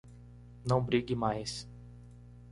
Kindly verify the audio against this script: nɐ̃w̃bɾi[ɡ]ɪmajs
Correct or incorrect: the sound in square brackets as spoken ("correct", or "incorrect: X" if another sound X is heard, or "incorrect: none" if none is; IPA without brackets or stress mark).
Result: correct